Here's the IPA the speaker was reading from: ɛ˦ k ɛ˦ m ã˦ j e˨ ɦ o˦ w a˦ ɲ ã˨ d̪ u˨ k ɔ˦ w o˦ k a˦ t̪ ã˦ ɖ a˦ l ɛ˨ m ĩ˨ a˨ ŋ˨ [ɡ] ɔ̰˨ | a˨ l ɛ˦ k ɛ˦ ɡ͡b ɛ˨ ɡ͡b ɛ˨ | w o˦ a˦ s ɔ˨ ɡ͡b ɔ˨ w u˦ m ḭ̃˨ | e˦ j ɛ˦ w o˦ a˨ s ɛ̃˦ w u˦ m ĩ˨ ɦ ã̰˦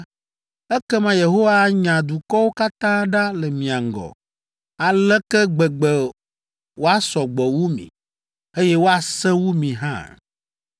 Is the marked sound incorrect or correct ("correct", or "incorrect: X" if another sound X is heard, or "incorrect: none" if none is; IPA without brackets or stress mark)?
correct